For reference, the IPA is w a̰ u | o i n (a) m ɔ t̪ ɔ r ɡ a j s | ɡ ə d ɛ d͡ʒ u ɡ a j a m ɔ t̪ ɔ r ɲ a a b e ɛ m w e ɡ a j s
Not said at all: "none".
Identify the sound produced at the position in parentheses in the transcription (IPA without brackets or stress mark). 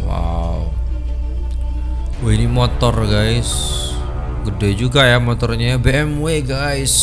i